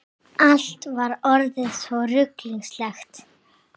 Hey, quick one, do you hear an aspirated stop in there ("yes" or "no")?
no